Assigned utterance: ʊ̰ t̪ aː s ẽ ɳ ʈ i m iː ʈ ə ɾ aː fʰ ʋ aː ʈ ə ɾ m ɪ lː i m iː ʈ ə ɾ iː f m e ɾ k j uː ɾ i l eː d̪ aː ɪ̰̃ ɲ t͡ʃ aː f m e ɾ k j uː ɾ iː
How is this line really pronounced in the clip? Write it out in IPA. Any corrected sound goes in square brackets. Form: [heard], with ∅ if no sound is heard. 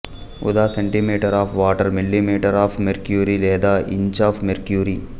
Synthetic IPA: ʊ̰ [d̪] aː s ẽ ɳ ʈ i m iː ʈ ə ɾ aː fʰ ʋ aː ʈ ə ɾ m ɪ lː i m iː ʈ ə ɾ [aː] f m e ɾ k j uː ɾ i l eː d̪ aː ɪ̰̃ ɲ t͡ʃ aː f m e ɾ k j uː ɾ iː